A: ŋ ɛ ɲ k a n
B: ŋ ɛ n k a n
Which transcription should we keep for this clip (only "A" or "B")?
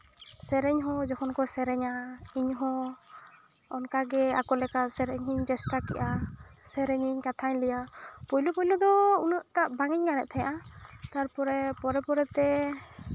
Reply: A